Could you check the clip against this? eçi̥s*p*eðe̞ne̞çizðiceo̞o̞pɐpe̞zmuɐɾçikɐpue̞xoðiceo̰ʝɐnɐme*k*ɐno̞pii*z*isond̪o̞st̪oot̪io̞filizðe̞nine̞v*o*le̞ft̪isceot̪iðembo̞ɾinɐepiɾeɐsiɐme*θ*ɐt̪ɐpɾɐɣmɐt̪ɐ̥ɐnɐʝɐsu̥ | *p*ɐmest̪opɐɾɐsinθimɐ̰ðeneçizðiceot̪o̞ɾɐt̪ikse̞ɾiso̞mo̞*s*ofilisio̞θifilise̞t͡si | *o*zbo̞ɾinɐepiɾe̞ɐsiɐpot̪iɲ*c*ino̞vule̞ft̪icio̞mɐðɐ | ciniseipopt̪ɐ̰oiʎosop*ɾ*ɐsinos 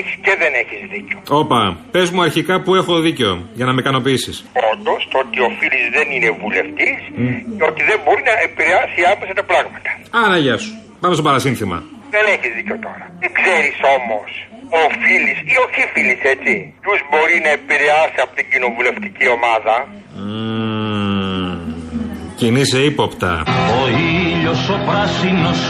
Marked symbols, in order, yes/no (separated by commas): no, yes, no, no, no, yes, yes, no, no, yes